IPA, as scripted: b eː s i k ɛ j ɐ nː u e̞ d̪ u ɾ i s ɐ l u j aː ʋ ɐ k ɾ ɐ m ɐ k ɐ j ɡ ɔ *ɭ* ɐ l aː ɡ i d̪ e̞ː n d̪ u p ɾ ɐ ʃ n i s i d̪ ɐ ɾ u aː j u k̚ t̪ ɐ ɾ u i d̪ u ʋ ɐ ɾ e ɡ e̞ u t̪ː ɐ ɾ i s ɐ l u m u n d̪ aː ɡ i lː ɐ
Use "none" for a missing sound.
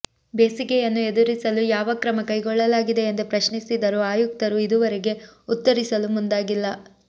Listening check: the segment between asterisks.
ɭː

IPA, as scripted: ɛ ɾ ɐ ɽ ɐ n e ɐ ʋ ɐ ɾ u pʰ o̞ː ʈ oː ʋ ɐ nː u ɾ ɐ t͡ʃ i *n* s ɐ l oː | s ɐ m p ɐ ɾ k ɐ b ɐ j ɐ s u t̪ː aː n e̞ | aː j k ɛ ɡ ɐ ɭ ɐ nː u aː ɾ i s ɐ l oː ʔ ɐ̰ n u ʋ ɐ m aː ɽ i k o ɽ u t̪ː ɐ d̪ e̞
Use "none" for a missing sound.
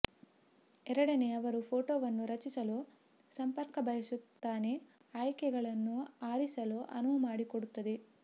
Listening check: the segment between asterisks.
none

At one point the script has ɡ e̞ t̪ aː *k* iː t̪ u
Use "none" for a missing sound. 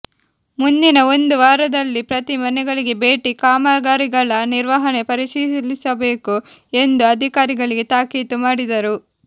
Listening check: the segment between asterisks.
k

